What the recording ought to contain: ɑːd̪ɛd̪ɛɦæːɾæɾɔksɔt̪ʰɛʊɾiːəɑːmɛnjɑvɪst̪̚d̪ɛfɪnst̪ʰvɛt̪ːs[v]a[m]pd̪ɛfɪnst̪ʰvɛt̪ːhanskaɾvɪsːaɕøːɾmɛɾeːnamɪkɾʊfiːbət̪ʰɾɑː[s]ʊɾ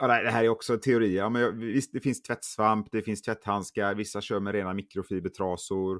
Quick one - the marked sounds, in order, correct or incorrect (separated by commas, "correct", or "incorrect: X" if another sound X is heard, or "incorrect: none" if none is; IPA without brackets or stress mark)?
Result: correct, correct, correct